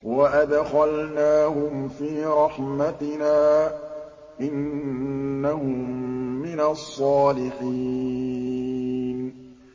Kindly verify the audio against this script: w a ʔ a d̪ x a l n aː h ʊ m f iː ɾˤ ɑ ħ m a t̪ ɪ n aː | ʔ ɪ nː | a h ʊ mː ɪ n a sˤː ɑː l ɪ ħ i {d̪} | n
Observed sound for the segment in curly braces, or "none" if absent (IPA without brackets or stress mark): none